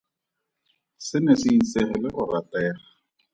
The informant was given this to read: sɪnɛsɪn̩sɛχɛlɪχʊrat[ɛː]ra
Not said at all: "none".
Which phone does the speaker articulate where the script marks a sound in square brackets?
ɛː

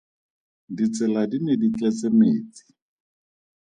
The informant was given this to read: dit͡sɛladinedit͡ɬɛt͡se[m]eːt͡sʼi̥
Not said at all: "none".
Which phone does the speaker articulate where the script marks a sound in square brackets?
m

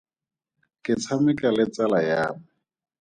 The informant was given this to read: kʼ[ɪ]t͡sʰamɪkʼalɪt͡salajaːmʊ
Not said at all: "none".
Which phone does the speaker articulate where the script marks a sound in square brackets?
ɪ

